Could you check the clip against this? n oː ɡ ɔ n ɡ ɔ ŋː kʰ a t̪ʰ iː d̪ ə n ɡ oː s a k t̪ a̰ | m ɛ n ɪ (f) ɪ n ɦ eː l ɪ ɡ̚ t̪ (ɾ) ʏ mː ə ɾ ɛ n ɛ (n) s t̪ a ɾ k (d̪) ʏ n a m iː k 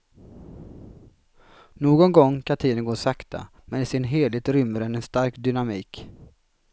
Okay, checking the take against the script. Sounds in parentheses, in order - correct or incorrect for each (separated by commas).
incorrect, correct, correct, correct